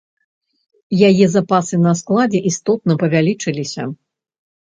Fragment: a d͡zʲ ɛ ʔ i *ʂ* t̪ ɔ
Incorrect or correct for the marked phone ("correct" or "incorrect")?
incorrect